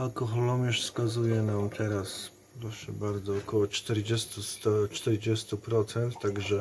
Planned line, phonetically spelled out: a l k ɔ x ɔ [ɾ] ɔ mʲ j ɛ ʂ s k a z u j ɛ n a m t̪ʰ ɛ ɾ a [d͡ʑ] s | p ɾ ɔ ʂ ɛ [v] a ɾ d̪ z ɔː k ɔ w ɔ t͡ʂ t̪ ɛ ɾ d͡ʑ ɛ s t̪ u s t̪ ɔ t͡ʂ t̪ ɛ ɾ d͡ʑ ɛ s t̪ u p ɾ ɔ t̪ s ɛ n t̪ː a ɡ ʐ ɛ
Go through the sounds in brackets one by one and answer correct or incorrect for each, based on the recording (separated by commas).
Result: incorrect, incorrect, incorrect